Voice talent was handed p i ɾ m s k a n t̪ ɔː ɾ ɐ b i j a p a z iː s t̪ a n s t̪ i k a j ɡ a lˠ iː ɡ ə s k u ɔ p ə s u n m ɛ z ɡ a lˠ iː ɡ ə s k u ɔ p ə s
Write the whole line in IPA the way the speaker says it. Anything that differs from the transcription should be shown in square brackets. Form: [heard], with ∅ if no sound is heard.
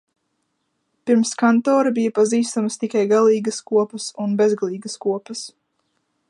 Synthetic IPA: p i ɾ m s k a n t̪ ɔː ɾ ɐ b i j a p a z iː s t̪ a [m] s t̪ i k a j ɡ a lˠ iː ɡ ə s k u ɔ p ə s u n [b] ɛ z ɡ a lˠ iː ɡ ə s k u ɔ p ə s